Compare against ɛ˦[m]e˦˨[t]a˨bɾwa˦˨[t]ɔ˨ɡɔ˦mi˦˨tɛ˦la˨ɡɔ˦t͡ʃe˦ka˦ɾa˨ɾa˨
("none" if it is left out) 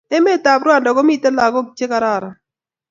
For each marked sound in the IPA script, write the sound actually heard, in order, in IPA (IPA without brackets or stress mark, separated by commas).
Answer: m, t, d